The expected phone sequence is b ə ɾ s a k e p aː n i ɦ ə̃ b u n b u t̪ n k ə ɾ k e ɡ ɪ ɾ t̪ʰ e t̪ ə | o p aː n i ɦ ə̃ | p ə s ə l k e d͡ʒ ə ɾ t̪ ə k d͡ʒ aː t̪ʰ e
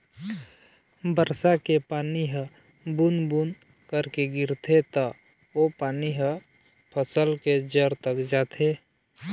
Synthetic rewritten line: b ə ɾ s a k e p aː n i ɦ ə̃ b u n b u n k ə ɾ k e ɡ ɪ ɾ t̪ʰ e t̪ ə | o p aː n i ɦ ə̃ | pʰ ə s ə l k e d͡ʒ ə ɾ t̪ ə k d͡ʒ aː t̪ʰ e

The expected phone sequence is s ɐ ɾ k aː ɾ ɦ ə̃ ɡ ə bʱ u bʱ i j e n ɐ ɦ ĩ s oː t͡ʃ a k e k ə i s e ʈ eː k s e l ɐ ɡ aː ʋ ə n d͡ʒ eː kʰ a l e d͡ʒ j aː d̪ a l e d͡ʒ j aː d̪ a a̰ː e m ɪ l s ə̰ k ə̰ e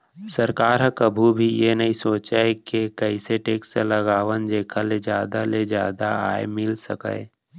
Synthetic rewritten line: s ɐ ɾ k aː ɾ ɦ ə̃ k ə bʱ u bʱ i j e n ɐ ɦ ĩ s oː t͡ʃ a k e k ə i s e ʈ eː k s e l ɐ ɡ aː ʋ ə n d͡ʒ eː kʰ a l e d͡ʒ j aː d̪ a l e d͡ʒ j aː d̪ a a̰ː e m ɪ l s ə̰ k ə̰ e

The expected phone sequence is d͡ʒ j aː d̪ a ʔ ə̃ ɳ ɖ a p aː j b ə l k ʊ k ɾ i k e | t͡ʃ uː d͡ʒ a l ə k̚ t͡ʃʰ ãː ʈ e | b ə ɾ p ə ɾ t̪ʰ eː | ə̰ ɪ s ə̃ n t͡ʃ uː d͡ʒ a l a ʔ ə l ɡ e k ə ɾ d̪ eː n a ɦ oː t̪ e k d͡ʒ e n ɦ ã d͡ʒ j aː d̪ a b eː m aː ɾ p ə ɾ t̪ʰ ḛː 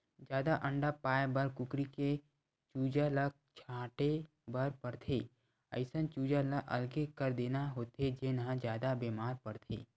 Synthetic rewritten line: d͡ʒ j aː d̪ a ʔ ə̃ ɳ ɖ a p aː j b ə ɾ k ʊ k ɾ i k e | t͡ʃ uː d͡ʒ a l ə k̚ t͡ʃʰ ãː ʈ e | b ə ɾ p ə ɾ t̪ʰ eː | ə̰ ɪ s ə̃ n t͡ʃ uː d͡ʒ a l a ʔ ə l ɡ e k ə ɾ d̪ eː n a ɦ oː t̪ e d͡ʒ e n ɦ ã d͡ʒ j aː d̪ a b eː m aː ɾ p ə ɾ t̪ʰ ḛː

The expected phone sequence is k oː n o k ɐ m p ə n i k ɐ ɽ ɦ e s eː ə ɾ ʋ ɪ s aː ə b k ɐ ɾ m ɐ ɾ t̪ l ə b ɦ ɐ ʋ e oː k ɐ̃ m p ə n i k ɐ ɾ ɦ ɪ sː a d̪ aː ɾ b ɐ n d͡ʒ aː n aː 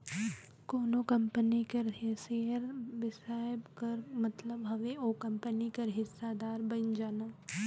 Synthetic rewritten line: k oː n o k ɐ m p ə n i k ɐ ɾ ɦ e s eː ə ɾ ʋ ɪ s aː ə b k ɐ ɾ m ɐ t̪ l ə b ɦ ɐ ʋ e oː k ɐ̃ m p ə n i k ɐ ɾ ɦ ɪ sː a d̪ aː ɾ b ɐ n d͡ʒ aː n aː

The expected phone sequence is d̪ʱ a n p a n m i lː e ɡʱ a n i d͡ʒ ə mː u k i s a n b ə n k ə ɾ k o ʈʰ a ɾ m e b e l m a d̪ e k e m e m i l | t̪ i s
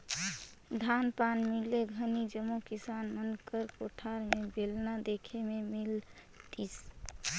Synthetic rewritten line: d̪ʱ a n p a n m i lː e ɡʱ ə n i d͡ʒ ə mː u k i s a n m ə n k ə ɾ k o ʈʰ a ɾ m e b e l n a d̪ e kʰ e m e m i l | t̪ i s

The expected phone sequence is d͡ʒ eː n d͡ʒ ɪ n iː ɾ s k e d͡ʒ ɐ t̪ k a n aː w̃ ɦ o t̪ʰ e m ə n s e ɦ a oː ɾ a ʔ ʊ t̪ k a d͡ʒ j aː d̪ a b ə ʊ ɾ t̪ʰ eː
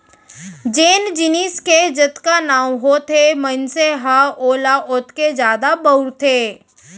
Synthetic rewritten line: d͡ʒ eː n d͡ʒ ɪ n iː s k e d͡ʒ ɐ t̪ k a n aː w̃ ɦ o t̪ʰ e m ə n s e ɦ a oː l a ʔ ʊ t̪ k e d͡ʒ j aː d̪ a b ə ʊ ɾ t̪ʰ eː

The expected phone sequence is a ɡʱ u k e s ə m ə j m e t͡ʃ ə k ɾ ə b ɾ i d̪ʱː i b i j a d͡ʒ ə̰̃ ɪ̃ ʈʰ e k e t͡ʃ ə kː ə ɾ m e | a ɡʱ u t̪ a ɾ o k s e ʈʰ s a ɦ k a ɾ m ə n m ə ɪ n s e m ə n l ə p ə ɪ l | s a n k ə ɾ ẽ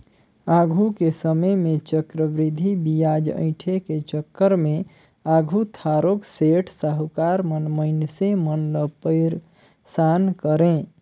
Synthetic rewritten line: a ɡʱ u k e s ə m ə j m e t͡ʃ ə k ɾ ə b ɾ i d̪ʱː i b i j a d͡ʒ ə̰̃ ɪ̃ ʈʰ e k e t͡ʃ ə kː ə ɾ m e | a ɡʱ u t̪ʰ a ɾ o k s e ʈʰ s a ɦ k a ɾ m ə n m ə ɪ n s e m ə n l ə p ə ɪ ɾ | s a n k ə ɾ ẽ

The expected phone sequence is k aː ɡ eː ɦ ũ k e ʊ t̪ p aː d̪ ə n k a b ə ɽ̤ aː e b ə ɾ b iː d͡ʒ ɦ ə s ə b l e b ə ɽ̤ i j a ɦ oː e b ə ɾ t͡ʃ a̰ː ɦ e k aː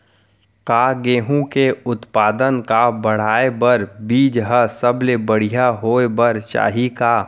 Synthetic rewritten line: k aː ɡ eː ɦ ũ k e ʊ t̪ p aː d̪ ə n k a b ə ɽ̤ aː e b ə ɾ b iː d͡ʒ ɦ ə s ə b l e b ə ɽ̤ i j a ɦ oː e b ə ɾ t͡ʃ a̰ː ɦ i k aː

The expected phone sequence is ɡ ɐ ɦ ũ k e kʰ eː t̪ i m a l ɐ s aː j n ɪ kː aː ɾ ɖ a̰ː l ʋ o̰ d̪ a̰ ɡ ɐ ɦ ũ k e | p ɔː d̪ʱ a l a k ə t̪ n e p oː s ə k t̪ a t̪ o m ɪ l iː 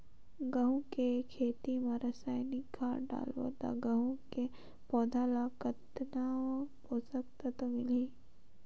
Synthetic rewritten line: ɡ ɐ ɦ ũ k e kʰ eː t̪ i m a ɾ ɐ s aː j n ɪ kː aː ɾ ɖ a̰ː l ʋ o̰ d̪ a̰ ɡ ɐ ɦ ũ k e | p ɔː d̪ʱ a l a k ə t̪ n a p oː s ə k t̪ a t̪ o m ɪ l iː

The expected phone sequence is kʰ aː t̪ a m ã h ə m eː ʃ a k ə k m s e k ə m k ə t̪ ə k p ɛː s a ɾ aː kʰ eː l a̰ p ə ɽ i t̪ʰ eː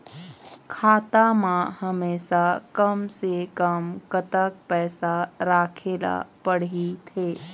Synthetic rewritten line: kʰ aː t̪ a m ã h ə m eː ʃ a k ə m s e k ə m k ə t̪ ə k p ɛː s a ɾ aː kʰ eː l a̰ p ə ɽ i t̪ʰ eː

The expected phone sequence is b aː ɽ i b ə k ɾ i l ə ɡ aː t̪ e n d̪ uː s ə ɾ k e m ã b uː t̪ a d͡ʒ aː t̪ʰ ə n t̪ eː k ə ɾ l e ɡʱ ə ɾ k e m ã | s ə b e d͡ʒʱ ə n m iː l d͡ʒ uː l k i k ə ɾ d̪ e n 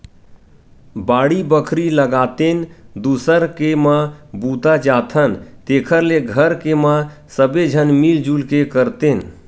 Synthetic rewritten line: b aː ɽ i b ə kʰ ɾ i l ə ɡ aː t̪ e n d̪ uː s ə ɾ k e m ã b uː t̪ a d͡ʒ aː t̪ʰ ə n t̪ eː kʰ ə ɾ l e ɡʱ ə ɾ k e m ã | s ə b e d͡ʒʱ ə n m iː l d͡ʒ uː l k e k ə ɾ t̪ e n

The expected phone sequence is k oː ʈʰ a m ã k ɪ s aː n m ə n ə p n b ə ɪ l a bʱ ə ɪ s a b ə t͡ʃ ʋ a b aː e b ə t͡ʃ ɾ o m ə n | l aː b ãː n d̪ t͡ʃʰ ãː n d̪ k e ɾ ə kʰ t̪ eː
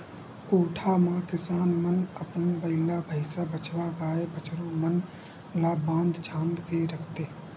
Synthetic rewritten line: k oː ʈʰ a m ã k ɪ s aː n m ə n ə p n b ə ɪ l a bʱ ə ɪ s a b ə t͡ʃ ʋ a ɡ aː e b ə t͡ʃ ɾ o m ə n | l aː b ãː n d̪ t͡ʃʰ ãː n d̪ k e ɾ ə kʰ t̪ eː

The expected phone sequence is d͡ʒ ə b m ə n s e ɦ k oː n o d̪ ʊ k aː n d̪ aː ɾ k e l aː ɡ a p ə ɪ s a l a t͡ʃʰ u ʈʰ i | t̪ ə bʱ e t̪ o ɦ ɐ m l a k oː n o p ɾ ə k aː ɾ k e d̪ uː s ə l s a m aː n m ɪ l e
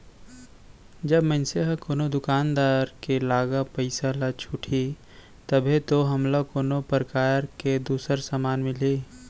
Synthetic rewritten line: d͡ʒ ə b m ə n s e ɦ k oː n o d̪ ʊ k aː n d̪ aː ɾ k e l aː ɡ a p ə ɪ s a l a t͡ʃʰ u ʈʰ i | t̪ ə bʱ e t̪ o ɦ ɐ m l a k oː n o p ɾ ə k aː ɾ k e d̪ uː s ə ɾ s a m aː n m ɪ l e

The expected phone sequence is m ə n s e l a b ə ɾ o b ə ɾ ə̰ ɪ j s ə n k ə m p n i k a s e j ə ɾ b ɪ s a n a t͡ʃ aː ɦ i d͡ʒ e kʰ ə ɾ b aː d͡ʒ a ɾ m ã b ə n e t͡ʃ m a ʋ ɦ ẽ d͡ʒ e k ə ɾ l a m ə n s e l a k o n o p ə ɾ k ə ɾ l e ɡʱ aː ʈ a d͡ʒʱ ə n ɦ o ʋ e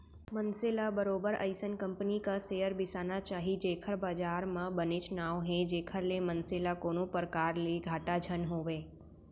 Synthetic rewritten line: m ə n s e l a b ə ɾ o b ə ɾ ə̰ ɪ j s ə n k ə m p n i k a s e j ə ɾ b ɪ s a n a t͡ʃ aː ɦ i d͡ʒ e kʰ ə ɾ b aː d͡ʒ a ɾ m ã b ə n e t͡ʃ n a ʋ ɦ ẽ d͡ʒ e kʰ ə ɾ l e m ə n s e l a k o n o p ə ɾ k a ɾ l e ɡʱ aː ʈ a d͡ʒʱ ə n ɦ o ʋ e

